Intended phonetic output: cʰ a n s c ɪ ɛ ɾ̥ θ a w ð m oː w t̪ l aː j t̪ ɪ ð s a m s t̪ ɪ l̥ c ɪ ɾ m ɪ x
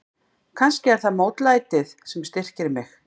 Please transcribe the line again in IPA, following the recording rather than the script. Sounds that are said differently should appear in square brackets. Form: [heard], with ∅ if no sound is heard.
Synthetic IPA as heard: [kʰ] a n s c ɪ ɛ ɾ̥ θ a [∅] ð m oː w t̪ l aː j t̪ ɪ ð s [ɛ] m s t̪ ɪ [r̥] c ɪ ɾ m ɪ x